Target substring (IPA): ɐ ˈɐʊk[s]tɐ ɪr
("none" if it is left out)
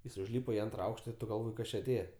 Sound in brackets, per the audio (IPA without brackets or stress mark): ʃ